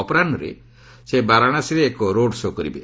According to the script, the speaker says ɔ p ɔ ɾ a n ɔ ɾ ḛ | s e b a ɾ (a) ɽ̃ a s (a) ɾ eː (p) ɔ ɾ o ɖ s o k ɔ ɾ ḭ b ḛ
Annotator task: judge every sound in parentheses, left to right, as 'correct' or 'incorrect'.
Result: correct, incorrect: i, incorrect: k

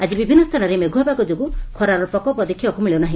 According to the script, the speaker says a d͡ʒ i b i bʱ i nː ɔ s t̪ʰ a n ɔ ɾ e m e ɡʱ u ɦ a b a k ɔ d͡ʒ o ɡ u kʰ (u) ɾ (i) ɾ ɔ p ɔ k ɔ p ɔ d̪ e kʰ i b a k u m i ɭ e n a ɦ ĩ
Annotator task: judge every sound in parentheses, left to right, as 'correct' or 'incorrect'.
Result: incorrect: ɔ, incorrect: a

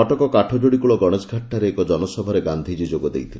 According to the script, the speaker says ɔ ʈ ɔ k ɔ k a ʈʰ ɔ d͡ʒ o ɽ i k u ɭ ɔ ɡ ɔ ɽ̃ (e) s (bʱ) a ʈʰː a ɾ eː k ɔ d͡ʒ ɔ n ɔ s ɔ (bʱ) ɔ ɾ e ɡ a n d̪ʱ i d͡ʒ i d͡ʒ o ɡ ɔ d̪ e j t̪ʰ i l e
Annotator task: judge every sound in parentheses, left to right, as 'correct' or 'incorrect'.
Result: correct, incorrect: ɡʱ, correct

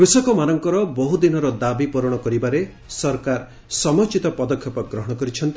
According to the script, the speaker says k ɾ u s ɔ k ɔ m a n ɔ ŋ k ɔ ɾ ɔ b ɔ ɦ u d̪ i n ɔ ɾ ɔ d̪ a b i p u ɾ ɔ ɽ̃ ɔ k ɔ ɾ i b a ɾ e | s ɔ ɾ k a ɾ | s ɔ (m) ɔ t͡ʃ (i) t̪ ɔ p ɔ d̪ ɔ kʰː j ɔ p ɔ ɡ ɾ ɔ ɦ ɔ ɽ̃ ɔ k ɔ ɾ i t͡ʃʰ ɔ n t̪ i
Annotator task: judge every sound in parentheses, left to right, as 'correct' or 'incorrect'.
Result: correct, correct

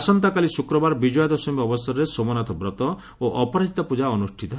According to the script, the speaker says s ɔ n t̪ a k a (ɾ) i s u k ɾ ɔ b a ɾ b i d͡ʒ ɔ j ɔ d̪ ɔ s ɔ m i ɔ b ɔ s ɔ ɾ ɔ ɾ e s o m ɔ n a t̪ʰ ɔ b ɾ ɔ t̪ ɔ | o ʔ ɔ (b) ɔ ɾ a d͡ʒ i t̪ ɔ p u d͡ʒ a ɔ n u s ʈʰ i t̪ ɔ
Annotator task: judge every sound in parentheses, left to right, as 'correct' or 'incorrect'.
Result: incorrect: l, incorrect: p

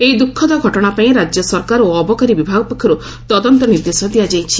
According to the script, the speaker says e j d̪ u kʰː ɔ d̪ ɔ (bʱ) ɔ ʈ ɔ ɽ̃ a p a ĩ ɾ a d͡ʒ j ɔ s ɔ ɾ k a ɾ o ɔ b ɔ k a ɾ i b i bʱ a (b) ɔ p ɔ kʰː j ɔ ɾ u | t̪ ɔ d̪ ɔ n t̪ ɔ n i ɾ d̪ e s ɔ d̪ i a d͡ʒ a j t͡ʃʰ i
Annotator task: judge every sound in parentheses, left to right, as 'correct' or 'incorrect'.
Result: incorrect: ɡʱ, incorrect: ɡ

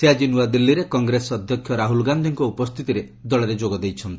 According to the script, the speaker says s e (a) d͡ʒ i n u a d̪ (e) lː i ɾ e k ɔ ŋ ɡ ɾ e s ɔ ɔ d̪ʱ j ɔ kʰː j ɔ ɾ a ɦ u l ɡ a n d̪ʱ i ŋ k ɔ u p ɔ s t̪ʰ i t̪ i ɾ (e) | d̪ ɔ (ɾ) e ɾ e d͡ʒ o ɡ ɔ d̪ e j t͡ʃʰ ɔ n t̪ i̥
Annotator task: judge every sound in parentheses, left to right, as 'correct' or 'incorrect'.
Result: correct, incorrect: i, correct, incorrect: ɭ

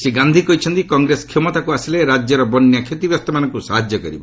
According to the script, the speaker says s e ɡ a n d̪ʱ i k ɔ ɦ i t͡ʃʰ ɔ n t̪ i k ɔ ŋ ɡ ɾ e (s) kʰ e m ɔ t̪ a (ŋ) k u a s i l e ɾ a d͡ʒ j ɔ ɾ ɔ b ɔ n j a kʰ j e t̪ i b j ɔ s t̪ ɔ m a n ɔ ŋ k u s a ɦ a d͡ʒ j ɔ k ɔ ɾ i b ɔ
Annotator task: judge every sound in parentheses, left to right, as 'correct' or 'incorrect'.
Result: correct, incorrect: none

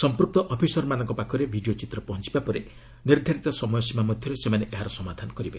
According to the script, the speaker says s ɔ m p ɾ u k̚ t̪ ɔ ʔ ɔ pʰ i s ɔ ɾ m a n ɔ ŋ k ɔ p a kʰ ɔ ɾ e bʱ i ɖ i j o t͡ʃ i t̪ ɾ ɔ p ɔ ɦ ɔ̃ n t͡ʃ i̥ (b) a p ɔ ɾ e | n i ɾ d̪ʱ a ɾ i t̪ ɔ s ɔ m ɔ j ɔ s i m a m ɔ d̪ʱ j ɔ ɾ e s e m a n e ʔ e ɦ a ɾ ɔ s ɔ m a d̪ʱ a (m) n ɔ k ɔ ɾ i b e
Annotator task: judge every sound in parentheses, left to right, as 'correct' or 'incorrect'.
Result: correct, incorrect: none

